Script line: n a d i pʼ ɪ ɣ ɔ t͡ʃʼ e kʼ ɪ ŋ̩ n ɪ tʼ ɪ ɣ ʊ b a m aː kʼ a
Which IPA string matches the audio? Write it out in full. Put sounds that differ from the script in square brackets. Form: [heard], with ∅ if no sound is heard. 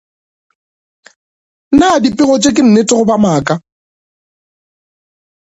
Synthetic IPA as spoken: n a d i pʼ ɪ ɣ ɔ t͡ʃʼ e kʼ ɪ [n̩] n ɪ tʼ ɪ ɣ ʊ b a m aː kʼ a